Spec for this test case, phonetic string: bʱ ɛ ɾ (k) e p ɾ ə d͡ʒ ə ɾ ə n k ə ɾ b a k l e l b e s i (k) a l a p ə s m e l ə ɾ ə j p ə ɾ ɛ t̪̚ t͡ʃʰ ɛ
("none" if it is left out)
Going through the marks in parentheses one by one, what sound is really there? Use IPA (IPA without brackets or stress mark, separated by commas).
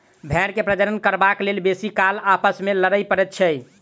k, k